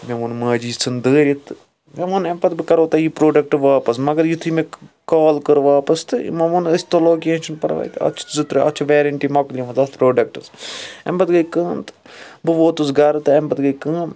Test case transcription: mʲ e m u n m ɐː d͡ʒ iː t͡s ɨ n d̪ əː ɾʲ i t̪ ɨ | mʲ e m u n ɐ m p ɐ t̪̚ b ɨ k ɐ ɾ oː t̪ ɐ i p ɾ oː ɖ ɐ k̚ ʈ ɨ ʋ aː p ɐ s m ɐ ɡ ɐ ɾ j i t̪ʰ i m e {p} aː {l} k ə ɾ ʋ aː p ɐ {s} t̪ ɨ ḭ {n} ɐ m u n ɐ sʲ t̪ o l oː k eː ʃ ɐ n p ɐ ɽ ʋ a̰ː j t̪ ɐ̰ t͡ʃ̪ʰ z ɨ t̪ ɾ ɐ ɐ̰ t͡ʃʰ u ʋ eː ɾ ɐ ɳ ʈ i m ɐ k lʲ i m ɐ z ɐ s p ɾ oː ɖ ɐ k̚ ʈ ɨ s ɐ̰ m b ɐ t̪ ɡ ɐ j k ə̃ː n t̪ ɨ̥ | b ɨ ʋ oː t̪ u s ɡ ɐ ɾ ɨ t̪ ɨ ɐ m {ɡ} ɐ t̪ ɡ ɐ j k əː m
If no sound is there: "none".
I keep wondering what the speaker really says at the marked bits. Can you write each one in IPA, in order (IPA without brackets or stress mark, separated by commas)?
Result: k, l, s, m, b